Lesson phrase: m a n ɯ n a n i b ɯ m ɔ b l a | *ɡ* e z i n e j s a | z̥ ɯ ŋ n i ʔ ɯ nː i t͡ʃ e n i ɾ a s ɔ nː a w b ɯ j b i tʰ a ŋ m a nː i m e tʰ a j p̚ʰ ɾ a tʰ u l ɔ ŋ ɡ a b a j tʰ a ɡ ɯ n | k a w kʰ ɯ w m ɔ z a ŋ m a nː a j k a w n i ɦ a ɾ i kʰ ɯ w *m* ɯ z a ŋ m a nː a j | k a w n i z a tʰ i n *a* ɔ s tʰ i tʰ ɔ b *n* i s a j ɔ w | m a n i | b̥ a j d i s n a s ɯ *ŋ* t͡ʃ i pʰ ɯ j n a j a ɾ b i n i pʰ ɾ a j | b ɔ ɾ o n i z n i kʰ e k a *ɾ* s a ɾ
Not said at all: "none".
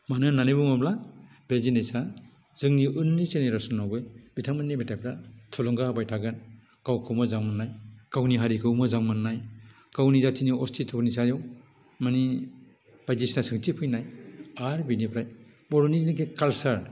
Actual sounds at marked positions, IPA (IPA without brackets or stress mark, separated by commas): b, m, i, n, ŋ, l